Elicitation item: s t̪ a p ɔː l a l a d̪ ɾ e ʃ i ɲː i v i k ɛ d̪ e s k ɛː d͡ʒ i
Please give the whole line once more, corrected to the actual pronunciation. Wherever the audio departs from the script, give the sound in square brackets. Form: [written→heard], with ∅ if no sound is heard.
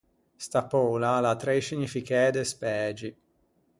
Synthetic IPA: s t̪ a p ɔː l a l a [d̪→t̪] ɾ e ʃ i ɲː i [v→f] i k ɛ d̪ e s [k→p] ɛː d͡ʒ i